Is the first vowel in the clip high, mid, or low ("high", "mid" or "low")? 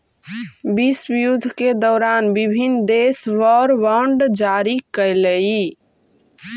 high